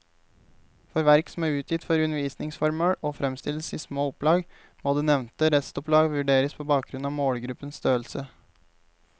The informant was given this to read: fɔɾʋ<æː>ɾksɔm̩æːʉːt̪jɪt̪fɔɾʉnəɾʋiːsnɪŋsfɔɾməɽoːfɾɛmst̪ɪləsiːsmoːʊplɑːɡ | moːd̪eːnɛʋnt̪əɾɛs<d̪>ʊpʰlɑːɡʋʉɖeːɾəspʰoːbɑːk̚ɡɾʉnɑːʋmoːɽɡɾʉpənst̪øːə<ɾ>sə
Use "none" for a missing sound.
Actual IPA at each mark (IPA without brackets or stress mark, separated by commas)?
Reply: æ, t̪, l